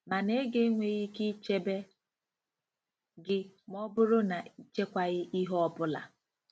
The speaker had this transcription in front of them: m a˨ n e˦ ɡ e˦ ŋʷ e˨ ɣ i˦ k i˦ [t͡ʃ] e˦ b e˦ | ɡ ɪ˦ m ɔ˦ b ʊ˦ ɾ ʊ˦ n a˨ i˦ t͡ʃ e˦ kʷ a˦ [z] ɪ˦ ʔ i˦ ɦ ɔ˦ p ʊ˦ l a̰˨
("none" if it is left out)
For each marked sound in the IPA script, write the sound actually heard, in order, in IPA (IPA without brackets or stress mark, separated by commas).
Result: t͡ʃ, ɣ